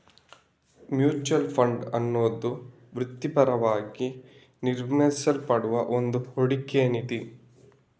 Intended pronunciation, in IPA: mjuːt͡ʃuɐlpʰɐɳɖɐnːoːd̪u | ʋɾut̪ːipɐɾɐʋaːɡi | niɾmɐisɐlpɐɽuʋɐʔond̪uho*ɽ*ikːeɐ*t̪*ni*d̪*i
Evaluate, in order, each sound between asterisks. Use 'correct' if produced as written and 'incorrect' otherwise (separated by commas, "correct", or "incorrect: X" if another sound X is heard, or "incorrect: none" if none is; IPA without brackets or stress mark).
correct, incorrect: none, incorrect: t̪